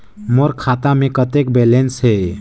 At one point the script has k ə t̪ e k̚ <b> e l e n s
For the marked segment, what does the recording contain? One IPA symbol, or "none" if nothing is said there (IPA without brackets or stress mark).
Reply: b